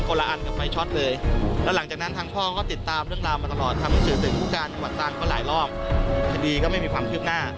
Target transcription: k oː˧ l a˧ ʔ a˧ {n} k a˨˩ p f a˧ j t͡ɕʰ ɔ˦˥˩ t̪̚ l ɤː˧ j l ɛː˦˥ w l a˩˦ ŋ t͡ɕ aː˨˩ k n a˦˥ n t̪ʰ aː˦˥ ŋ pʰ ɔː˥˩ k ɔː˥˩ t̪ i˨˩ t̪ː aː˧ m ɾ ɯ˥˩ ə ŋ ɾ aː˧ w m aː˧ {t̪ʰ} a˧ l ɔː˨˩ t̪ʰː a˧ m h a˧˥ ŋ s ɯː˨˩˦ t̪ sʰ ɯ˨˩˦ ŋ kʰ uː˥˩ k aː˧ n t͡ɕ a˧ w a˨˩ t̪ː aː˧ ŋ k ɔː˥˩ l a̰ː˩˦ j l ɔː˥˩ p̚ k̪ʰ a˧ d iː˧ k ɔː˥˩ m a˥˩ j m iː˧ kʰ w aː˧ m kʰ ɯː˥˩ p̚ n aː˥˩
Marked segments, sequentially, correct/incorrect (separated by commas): correct, incorrect